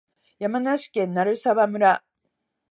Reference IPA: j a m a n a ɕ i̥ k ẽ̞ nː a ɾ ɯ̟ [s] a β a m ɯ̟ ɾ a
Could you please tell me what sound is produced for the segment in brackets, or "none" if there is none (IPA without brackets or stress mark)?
s